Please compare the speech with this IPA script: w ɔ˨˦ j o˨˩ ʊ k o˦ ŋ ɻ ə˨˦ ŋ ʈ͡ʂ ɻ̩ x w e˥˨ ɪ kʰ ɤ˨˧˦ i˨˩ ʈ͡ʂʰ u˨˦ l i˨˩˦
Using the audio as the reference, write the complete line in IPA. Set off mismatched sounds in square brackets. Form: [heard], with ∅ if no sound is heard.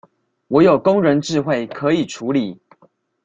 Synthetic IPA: w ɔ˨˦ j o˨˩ ʊ k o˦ ŋ ɻ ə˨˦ [n] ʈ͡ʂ ɻ̩ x w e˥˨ ɪ kʰ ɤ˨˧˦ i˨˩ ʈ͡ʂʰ u˨˦ l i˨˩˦